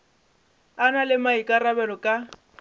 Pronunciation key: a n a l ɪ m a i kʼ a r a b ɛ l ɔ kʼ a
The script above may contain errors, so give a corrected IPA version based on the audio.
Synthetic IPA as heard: a n a l ɪ m a i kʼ a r a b ɛ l ɔ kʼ a